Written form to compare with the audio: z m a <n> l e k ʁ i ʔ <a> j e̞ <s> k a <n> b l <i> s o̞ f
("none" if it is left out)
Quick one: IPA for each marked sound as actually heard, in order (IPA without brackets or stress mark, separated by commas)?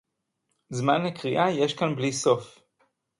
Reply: n, a, ʃ, n, i